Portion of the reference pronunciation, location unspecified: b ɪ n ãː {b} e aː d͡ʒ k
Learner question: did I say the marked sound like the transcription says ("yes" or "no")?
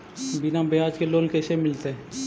yes